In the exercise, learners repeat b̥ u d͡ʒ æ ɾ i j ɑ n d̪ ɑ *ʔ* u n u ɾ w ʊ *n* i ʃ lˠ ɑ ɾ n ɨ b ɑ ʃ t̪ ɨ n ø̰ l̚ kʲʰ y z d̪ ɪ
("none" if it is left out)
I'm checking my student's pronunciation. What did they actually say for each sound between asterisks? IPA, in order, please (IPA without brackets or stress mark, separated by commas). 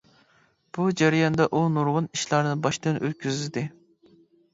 ʔ, n